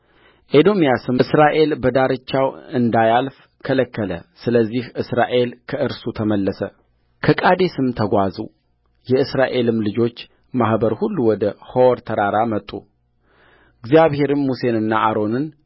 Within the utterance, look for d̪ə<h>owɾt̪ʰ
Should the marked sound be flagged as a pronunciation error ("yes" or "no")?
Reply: no